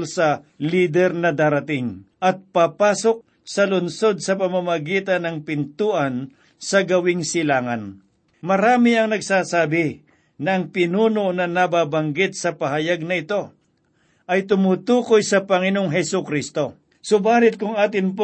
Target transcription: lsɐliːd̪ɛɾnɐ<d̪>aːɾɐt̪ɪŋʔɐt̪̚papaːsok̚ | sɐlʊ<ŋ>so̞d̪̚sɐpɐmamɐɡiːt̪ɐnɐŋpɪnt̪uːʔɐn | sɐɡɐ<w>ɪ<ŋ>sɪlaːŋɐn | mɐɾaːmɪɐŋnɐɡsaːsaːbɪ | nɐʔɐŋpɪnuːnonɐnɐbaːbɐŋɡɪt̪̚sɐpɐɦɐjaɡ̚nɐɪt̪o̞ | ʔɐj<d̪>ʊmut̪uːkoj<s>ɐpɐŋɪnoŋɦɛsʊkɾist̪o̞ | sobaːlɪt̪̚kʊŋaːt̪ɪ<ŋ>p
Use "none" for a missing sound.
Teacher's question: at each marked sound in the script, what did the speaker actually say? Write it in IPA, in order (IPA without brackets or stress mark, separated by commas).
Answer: d̪, n, w, ŋ, t̪, s, n